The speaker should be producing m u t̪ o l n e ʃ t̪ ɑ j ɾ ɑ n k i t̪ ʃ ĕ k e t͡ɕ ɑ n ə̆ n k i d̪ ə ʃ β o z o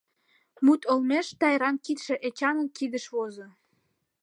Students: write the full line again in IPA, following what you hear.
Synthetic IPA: m u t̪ o l m e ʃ t̪ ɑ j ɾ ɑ n k i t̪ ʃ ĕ ʔ e t͡ɕ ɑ n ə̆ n k i d̪ ə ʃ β o z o